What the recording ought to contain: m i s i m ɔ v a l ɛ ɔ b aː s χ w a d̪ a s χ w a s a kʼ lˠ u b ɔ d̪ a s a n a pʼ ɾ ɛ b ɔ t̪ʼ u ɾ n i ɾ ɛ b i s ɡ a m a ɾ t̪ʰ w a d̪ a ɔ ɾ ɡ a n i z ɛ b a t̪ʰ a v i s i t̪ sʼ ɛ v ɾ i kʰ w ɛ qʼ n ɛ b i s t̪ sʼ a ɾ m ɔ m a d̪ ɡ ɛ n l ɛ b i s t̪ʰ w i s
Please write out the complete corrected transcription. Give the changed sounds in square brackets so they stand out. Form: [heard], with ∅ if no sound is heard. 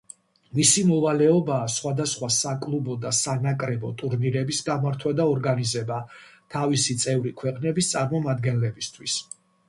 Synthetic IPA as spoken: m i s i m ɔ v a l ɛ ɔ b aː s χ w a d̪ a s χ w a s a kʼ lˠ u b ɔ d̪ a s a n a [kʼ] ɾ ɛ b ɔ t̪ʼ u ɾ n i ɾ ɛ b i s ɡ a m a ɾ t̪ʰ w a d̪ a ɔ ɾ ɡ a n i z ɛ b a t̪ʰ a v i s i t̪ sʼ ɛ v ɾ i kʰ w ɛ qʼ n ɛ b i s t̪ sʼ a ɾ m ɔ m a d̪ ɡ ɛ n l ɛ b i s t̪ʰ w i s